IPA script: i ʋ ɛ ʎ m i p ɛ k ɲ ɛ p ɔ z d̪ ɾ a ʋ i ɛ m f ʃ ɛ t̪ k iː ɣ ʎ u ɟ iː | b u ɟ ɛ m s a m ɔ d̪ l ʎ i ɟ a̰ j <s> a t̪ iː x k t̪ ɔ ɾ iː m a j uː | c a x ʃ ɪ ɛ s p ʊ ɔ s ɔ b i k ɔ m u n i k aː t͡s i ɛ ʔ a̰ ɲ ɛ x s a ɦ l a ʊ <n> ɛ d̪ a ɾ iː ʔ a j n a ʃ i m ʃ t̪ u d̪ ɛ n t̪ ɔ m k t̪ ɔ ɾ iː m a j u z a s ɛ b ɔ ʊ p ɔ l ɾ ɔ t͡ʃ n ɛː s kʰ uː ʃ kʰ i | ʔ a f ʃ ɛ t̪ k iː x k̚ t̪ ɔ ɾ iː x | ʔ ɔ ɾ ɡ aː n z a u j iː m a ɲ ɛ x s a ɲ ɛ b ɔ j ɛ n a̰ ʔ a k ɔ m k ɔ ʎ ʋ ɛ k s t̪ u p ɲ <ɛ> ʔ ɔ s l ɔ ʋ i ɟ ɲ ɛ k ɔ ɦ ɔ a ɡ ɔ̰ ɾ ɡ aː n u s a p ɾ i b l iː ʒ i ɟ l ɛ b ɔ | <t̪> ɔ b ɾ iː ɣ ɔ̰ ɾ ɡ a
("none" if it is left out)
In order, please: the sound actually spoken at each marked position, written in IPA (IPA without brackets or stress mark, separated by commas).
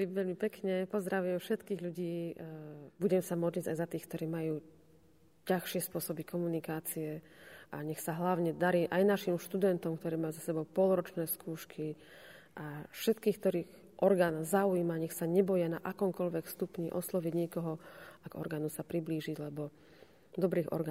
z, ɲ, i, d̪